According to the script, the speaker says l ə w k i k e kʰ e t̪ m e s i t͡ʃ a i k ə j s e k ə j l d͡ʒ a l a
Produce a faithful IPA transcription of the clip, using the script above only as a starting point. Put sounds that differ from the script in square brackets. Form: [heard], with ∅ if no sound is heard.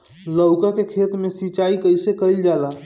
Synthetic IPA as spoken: l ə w k [a] k e kʰ e t̪ m e s i t͡ʃ a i k ə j s e k ə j l d͡ʒ a l a